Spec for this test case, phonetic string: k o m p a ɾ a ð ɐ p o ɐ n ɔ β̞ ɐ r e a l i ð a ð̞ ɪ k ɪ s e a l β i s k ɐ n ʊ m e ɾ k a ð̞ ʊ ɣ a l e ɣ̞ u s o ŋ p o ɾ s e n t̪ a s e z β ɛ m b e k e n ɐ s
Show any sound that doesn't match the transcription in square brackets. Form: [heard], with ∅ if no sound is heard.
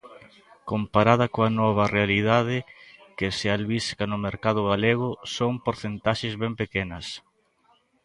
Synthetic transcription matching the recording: k o m p a ɾ a ð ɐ [k] o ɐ n ɔ β̞ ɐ r e a l i ð a ð̞ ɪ k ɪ s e a l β i s k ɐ n ʊ m e ɾ k a ð̞ ʊ ɣ a l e ɣ̞ [ʊ] s o ŋ p o ɾ [θ] e n t̪ a [ʃ] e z β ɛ m [p] e k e n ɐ s